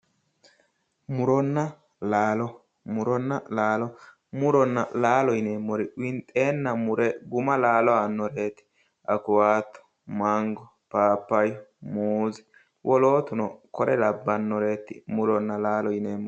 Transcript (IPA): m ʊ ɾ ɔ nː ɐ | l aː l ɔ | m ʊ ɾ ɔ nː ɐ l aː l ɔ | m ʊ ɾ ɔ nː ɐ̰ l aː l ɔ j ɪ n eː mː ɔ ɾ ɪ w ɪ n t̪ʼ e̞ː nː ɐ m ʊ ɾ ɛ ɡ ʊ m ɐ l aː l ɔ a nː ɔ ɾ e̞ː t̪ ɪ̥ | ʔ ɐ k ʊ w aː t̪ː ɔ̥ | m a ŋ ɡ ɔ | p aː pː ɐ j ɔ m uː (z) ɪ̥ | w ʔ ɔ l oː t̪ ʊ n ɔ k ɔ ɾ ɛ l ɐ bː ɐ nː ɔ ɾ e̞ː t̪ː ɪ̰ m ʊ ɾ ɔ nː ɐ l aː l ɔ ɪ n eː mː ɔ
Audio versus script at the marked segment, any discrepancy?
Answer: no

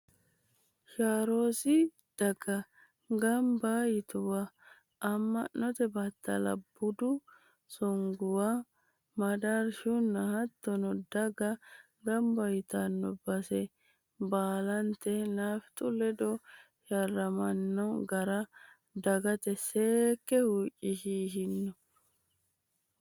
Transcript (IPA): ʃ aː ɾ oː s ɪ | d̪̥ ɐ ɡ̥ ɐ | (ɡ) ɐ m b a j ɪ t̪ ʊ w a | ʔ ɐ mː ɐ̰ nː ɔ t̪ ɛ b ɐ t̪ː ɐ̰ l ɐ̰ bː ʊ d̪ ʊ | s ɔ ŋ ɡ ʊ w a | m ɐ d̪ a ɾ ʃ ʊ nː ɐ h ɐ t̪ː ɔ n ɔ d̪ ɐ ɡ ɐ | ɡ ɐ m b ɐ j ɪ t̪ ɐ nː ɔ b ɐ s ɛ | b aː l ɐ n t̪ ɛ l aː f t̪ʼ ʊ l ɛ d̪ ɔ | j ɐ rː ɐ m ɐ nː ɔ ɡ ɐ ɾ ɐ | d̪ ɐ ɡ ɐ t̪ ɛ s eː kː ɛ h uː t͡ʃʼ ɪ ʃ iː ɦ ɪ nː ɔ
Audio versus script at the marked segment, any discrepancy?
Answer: no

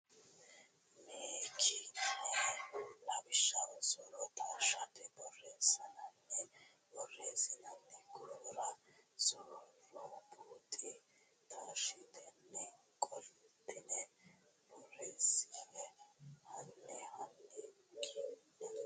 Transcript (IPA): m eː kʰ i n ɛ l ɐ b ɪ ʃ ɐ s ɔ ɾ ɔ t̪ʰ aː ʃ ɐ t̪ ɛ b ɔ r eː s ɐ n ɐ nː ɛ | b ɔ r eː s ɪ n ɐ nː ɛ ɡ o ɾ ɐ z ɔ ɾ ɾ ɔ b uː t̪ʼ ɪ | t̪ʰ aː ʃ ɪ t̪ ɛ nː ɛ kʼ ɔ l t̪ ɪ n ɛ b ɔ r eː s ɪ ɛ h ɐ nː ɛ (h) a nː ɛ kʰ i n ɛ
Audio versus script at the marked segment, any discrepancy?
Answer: no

